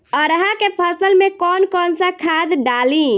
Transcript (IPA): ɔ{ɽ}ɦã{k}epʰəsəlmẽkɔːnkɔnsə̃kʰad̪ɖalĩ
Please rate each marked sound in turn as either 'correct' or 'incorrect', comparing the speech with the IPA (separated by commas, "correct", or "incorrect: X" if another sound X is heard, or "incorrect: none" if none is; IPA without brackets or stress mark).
incorrect: ɾ, correct